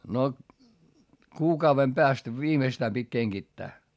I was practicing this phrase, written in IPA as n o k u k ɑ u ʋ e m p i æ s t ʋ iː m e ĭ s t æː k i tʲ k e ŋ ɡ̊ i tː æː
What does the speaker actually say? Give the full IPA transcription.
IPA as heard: n o k uː k ɑ u ʋ e m p e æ s t ʋ iː m e ĭ s t æː p i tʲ k e ŋ ɡ̊ i tː æː